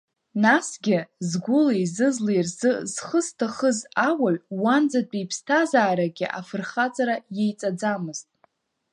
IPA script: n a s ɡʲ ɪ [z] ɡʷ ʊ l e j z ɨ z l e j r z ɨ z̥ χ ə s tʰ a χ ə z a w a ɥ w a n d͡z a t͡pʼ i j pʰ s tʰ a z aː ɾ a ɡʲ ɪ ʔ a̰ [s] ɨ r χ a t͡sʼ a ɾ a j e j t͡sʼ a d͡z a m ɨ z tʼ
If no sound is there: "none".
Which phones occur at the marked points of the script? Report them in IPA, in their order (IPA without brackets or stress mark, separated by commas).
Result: z, f